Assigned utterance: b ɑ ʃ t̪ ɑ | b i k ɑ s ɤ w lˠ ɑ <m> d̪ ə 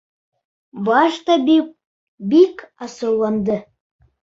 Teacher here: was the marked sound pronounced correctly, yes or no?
no